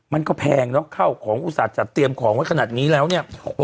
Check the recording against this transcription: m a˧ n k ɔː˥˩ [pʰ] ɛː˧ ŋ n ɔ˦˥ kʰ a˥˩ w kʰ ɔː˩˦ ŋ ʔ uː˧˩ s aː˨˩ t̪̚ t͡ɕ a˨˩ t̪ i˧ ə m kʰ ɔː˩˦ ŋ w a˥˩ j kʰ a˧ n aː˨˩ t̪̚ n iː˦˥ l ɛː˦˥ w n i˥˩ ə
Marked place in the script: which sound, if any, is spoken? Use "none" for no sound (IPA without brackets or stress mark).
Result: pʰ